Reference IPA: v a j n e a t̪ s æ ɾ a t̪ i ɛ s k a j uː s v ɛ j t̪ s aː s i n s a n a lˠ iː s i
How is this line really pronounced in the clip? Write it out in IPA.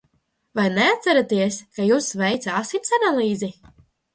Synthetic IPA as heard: v a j n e a t̪ s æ ɾ a t̪ i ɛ s k a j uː s v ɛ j t̪ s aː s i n s a n a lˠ iː z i